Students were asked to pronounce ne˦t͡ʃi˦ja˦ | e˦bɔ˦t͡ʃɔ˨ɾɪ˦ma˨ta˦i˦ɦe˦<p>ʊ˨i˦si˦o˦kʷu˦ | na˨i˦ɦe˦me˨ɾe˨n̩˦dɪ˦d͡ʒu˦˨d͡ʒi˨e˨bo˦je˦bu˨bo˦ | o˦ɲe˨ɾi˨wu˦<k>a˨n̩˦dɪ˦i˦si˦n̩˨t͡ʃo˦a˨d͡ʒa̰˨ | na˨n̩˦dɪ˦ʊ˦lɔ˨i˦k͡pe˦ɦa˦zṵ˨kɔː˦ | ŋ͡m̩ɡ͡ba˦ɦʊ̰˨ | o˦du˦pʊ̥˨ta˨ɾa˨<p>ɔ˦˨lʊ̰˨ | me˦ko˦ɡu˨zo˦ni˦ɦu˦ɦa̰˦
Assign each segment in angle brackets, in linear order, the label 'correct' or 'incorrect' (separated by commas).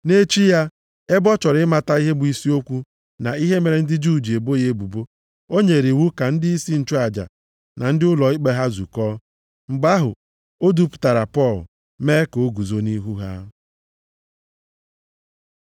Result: incorrect, correct, correct